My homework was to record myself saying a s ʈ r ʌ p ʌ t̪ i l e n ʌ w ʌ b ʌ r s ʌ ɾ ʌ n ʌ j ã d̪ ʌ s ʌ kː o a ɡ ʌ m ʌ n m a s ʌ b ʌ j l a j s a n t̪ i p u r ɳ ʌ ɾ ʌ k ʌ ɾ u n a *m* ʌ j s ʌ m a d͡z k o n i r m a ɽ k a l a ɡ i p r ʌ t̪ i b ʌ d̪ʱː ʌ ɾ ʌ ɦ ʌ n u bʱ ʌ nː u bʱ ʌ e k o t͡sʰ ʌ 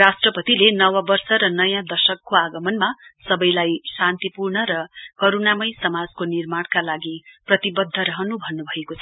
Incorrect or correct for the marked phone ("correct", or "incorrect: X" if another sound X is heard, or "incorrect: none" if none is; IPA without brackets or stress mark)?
correct